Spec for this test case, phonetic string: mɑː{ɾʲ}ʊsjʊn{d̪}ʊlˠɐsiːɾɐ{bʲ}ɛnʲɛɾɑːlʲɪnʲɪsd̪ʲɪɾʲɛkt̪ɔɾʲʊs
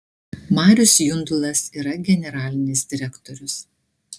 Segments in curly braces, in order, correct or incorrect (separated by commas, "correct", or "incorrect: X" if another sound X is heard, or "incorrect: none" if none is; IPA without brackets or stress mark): correct, correct, incorrect: ɡʲ